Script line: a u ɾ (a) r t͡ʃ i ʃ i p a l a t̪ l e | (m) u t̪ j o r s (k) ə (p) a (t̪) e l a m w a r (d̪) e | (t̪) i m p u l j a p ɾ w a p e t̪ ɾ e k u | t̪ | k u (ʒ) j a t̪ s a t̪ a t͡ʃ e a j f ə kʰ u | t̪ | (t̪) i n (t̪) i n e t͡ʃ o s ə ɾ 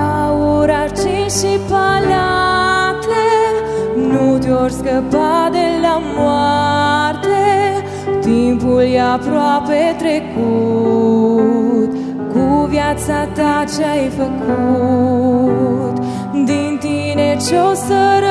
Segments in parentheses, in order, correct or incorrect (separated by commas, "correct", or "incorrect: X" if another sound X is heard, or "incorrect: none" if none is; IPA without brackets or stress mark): correct, incorrect: n, correct, correct, incorrect: d̪, incorrect: t̪, correct, incorrect: v, incorrect: d̪, correct